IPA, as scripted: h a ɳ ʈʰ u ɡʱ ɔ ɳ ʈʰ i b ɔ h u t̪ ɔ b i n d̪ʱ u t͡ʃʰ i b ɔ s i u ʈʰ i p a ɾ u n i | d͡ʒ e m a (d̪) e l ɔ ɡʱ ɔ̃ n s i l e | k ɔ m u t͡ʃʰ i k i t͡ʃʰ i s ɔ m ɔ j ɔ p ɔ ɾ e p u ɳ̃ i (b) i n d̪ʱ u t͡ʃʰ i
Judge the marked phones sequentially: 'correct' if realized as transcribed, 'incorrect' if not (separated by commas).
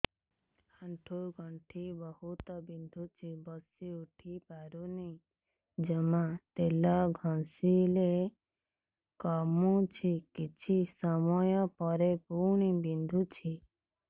incorrect, correct